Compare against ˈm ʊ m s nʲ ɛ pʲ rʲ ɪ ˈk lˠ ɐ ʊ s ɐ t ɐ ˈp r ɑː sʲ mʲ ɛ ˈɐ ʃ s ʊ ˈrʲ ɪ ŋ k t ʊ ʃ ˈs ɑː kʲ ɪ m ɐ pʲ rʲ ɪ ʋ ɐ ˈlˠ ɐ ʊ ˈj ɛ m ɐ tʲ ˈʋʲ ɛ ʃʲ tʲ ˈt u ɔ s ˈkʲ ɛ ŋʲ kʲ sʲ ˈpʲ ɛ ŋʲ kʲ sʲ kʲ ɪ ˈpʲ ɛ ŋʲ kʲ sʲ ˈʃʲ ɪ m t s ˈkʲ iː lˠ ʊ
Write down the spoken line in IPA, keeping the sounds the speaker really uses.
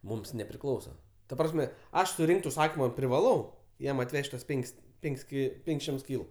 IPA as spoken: ˈm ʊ m s nʲ ɛ pʲ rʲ ɪ ˈk lˠ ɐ ʊ s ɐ t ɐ ˈp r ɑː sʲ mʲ ɛ ˈɐ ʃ s ʊ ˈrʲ ɪ ŋ k t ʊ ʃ ˈs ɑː kʲ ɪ m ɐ pʲ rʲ ɪ ʋ ɐ ˈlˠ ɐ ʊ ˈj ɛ m ɐ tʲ ˈʋʲ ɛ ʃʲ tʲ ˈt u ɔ s ˈpʲ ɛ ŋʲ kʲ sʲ ˈpʲ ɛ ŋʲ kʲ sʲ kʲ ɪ ˈpʲ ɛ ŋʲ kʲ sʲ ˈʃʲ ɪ m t s ˈkʲ iː lˠ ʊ